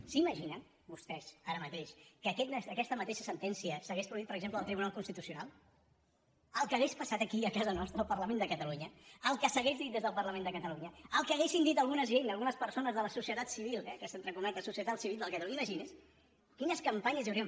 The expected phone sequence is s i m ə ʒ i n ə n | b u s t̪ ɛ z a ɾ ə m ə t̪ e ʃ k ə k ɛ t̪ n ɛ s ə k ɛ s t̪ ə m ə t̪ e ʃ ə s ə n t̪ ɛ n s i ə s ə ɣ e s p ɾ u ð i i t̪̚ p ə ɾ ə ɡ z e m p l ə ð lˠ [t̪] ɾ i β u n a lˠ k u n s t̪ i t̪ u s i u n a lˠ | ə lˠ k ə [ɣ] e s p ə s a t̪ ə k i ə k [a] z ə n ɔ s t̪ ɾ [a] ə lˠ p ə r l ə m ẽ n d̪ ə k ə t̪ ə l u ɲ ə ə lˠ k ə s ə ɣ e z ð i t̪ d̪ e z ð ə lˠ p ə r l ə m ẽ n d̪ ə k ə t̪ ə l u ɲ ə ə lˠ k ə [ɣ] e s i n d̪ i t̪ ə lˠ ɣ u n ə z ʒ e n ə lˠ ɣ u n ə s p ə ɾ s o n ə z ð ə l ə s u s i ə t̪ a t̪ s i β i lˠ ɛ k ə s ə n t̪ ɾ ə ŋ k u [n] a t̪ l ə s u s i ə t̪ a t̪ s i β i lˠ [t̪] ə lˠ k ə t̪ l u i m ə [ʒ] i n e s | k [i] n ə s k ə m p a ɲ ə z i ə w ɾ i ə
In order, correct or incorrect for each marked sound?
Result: correct, correct, correct, incorrect, correct, correct, incorrect, correct, correct

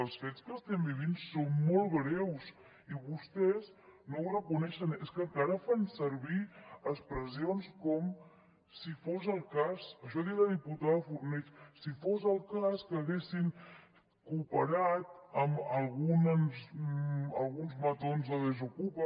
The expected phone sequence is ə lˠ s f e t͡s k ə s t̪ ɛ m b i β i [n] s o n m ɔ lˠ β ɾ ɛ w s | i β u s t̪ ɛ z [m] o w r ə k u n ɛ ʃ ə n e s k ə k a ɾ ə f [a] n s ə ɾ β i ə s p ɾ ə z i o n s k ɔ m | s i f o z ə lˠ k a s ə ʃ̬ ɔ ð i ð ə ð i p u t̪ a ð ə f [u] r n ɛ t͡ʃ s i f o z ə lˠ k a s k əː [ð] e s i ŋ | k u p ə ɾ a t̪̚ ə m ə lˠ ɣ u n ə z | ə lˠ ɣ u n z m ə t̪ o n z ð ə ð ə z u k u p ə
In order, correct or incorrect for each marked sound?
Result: correct, incorrect, correct, correct, incorrect

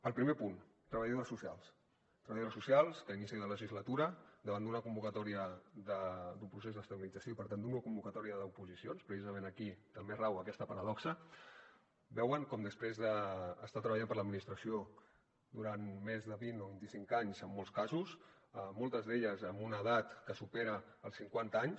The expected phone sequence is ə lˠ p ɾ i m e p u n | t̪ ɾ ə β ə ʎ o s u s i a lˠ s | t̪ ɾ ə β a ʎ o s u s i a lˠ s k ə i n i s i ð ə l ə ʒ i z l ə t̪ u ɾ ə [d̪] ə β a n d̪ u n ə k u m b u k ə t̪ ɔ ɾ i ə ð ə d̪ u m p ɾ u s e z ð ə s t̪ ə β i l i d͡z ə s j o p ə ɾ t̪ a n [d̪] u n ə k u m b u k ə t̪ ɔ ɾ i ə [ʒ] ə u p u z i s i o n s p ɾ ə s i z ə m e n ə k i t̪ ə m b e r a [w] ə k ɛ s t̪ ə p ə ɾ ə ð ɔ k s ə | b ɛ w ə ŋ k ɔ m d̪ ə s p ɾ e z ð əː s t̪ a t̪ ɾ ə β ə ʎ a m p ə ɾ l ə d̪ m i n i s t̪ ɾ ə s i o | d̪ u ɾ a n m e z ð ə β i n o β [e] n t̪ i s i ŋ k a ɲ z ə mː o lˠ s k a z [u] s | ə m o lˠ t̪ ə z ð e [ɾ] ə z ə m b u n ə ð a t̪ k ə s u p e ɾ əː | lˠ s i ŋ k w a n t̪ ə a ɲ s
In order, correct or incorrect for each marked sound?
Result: correct, correct, incorrect, correct, incorrect, correct, incorrect

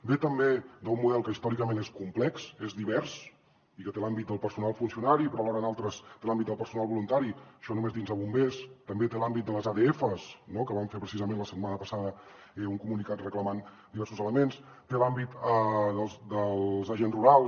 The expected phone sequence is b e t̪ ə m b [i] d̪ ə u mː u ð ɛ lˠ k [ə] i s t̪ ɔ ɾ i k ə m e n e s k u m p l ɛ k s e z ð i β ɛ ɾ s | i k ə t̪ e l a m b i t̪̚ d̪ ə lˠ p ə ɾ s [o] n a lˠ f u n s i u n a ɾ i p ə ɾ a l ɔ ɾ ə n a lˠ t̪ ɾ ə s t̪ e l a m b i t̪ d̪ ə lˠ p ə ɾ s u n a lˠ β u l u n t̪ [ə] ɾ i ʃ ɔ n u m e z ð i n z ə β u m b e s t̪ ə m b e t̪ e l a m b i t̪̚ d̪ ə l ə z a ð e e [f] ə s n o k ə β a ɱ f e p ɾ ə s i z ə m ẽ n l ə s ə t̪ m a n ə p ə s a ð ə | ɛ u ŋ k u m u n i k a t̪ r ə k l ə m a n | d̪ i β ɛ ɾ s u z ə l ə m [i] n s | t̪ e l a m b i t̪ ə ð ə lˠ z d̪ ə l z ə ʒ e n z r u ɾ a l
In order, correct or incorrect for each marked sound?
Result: incorrect, correct, incorrect, incorrect, correct, incorrect

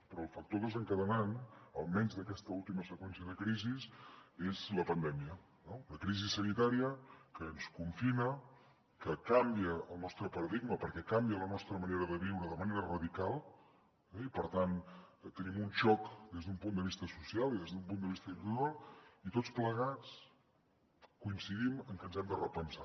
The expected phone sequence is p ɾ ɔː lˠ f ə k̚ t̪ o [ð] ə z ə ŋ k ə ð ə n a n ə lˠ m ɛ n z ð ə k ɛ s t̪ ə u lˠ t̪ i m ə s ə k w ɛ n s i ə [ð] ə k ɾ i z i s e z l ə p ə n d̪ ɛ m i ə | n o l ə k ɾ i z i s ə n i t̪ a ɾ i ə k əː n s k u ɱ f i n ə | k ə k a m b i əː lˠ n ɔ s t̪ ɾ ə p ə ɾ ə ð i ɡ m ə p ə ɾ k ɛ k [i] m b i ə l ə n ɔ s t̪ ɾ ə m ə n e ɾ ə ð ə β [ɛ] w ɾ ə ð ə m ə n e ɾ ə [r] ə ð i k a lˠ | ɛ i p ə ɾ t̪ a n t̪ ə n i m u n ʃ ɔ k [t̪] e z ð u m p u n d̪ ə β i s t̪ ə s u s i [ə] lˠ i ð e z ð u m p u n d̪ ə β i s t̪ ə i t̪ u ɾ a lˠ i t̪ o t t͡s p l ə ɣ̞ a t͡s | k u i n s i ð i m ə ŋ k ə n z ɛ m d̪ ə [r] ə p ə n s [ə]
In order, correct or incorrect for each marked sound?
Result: correct, correct, incorrect, incorrect, correct, incorrect, incorrect, correct, incorrect

